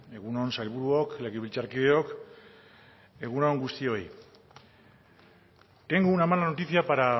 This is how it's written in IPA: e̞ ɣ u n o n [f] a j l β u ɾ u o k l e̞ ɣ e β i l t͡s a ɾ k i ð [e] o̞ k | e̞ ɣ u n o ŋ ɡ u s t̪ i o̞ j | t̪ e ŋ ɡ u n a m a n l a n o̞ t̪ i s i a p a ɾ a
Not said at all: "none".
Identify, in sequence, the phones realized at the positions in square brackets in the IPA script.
s, e

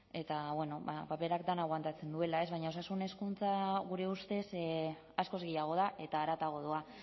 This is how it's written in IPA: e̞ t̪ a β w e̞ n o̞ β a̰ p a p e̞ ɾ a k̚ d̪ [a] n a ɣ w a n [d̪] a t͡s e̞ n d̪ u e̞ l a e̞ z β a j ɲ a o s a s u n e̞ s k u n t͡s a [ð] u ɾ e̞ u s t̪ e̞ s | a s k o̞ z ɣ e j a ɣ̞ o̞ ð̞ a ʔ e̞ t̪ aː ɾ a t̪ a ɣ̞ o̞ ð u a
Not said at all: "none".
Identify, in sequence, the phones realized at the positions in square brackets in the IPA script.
a, t̪, ɣ

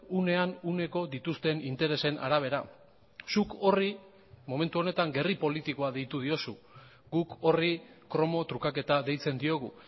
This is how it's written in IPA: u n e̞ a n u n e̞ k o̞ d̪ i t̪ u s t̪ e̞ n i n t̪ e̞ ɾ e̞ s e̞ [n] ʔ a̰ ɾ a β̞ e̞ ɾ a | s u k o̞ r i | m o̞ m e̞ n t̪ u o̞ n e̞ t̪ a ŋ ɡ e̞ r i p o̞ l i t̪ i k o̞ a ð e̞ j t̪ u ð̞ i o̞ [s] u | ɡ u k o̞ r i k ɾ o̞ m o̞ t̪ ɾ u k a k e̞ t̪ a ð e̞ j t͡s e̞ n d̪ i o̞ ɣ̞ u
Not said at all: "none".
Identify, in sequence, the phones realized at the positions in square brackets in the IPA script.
n, s

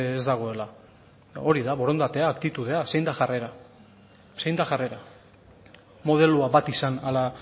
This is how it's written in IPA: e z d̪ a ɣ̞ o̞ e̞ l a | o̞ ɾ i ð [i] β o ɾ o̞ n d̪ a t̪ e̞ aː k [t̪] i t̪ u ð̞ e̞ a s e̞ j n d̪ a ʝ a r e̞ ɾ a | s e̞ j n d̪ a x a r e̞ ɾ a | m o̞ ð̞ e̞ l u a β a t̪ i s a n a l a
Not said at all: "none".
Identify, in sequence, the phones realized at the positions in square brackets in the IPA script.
a, t̪

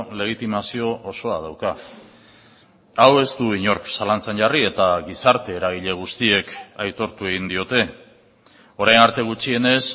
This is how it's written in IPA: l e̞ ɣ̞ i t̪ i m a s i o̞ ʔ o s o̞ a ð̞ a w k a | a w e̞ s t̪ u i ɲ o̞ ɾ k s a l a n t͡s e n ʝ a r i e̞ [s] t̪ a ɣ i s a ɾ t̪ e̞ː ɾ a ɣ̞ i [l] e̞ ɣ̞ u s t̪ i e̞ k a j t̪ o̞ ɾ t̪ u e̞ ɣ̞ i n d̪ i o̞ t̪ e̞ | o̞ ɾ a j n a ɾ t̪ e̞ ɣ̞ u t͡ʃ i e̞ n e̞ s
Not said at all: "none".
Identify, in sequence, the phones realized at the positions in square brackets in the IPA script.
none, ʎ

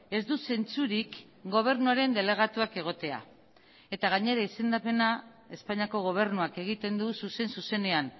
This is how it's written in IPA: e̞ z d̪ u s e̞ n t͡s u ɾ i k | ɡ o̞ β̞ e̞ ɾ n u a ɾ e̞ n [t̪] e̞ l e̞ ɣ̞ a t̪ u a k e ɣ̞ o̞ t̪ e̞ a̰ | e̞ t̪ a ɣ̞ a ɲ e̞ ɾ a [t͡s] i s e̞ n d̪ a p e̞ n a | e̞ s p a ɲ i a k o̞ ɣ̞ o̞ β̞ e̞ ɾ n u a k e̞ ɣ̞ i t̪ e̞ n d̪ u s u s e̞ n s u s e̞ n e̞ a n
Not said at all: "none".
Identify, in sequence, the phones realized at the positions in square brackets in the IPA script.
d̪, none

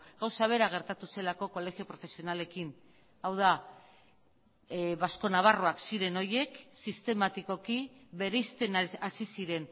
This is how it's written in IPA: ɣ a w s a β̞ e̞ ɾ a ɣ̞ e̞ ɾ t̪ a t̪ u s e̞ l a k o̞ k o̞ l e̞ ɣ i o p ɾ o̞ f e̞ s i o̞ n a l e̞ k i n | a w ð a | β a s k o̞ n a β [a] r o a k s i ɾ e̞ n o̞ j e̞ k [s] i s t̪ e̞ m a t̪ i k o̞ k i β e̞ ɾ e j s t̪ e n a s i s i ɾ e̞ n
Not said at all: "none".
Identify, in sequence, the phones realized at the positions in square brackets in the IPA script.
a, s

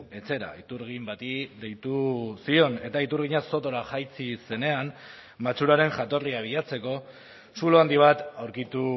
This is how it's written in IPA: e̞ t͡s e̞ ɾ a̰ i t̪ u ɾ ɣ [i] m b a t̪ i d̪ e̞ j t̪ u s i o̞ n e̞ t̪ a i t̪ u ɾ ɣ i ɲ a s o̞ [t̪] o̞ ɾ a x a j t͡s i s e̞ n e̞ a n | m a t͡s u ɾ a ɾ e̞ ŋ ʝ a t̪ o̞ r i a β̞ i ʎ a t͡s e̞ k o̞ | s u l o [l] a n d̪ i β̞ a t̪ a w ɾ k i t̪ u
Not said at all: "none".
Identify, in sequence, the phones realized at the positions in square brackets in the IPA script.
i, t̪, none

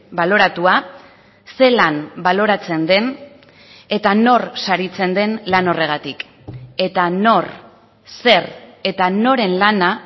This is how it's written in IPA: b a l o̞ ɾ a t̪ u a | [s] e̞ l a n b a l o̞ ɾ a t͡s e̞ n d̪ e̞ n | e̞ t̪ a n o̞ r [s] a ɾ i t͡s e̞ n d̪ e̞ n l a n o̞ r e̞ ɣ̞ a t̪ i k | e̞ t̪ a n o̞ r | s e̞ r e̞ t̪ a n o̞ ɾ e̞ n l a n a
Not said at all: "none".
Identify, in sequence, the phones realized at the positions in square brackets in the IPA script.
s, s

